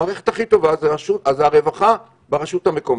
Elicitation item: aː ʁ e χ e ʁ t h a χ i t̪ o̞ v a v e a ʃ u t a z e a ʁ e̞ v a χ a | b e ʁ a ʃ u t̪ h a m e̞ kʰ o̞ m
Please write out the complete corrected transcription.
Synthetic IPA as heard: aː ʁ e χ e t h a χ i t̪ o̞ v a z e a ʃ u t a z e a ʁ e̞ v a χ a | b e ʁ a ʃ u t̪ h a m e̞ k o̞ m